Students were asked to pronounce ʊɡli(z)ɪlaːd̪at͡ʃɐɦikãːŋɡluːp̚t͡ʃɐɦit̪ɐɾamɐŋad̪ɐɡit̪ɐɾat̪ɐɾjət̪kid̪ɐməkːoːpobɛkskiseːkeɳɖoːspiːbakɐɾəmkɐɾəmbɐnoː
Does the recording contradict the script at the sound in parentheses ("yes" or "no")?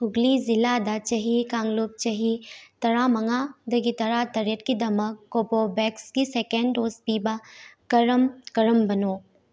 no